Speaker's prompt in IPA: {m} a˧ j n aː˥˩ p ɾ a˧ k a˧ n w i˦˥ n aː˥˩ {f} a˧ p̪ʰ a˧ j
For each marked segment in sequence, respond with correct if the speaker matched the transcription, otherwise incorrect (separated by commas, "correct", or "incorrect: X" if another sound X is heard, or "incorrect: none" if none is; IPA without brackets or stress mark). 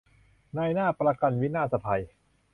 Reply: incorrect: n, incorrect: s